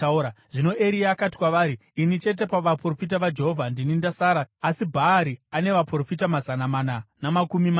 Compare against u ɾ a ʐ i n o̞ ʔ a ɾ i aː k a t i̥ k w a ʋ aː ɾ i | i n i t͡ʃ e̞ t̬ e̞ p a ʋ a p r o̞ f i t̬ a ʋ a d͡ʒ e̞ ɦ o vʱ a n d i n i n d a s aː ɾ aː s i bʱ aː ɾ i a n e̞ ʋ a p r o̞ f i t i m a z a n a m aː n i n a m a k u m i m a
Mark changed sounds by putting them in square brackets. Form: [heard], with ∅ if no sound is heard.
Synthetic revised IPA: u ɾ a ʐ i n o̞ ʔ [e] ɾ i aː k a t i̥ k w a ʋ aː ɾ i | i n i t͡ʃ e̞ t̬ e̞ p a ʋ a p r o̞ f i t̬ a ʋ a d͡ʒ e̞ ɦ o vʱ a n d i n i n d a s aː ɾ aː s i bʱ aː ɾ i a n e̞ ʋ a p r o̞ f i t [a] m a z a n a m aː n [a] n a m a k u m i m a